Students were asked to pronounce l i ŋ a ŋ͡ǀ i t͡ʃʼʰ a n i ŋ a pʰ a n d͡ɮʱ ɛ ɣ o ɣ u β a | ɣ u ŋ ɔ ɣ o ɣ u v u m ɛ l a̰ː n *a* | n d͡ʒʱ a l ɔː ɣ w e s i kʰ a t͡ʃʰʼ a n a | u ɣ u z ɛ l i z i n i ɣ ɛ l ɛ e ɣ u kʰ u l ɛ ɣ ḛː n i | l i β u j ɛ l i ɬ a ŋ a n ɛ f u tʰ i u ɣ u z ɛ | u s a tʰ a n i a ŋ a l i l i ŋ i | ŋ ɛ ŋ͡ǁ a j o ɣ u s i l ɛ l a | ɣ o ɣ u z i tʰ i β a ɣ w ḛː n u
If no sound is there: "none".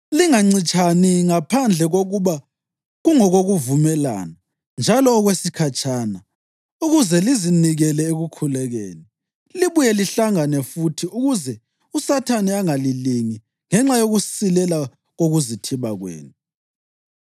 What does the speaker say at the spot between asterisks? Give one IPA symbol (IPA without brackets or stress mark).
a